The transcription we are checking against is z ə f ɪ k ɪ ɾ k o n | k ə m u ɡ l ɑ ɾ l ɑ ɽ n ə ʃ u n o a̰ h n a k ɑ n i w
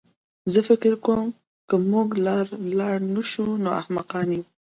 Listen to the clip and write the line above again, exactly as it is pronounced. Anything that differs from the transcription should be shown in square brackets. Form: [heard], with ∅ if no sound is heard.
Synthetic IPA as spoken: z ə f ɪ k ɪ ɾ k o [m] | k ə m u ɡ l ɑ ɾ l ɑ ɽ n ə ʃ u n o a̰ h [m] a [q] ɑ n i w